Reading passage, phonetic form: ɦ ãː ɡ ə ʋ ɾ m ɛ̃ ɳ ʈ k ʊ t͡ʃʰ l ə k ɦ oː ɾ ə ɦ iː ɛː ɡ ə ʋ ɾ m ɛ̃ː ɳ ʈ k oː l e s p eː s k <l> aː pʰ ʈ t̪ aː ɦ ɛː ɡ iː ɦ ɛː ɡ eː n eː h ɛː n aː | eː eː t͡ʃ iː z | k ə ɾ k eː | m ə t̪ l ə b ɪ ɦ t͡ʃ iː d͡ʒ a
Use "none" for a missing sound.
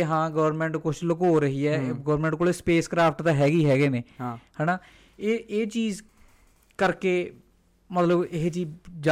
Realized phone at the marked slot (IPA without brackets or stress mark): ɾ